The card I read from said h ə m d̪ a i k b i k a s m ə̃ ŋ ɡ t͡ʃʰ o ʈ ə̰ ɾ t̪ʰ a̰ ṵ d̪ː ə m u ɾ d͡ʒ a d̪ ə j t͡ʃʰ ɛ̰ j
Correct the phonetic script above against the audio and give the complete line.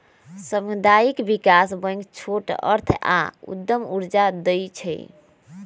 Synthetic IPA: s ə m d̪ a i k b i k a s b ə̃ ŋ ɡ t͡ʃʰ o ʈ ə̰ ɾ t̪ʰ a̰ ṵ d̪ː ə m u ɾ d͡ʒ a d̪ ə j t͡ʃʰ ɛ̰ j